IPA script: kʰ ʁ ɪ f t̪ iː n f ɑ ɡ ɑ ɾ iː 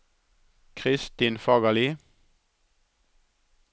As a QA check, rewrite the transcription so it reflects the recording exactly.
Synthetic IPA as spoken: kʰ ʁ ɪ s t̪ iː n f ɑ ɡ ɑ l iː